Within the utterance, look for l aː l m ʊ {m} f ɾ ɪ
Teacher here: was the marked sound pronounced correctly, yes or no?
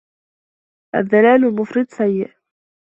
no